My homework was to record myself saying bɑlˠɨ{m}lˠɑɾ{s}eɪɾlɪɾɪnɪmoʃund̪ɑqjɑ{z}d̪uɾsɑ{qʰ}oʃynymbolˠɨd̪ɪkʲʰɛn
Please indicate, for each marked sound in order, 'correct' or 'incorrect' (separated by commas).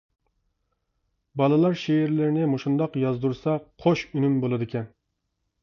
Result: incorrect, incorrect, correct, correct